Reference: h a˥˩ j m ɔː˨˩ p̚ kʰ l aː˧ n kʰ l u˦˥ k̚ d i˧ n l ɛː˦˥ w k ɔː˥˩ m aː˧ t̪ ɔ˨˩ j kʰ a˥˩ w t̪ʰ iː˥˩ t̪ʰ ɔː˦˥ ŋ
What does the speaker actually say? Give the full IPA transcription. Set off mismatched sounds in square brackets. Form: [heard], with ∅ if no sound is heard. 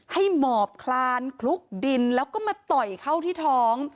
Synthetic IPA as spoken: h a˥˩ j m ɔː˨˩ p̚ kʰ l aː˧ n kʰ l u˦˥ k̚ d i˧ n l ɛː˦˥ w k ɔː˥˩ m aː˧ t̪ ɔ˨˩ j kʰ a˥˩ w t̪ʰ iː˥˩ t̪ʰ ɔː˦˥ ŋ

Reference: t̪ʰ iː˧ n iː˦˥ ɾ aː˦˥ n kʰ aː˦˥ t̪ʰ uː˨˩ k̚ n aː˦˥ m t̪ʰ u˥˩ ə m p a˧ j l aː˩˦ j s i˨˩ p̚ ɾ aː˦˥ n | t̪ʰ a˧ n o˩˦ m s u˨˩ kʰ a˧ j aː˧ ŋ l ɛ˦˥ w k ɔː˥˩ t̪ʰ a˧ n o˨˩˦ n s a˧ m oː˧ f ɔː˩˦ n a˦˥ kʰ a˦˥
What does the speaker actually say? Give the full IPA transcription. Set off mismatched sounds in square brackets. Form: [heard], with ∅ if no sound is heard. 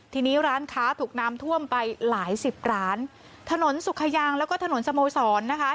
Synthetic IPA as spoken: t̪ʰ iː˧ n iː˦˥ ɾ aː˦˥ n kʰ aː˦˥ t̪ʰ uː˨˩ k̚ n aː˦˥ m t̪ʰ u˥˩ ə m p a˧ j l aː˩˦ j s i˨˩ p̚ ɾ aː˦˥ n | t̪ʰ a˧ n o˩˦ [n] s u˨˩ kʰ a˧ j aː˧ ŋ l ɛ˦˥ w k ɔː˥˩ t̪ʰ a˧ n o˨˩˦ n s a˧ m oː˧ [s] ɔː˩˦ [nː] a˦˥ kʰ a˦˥

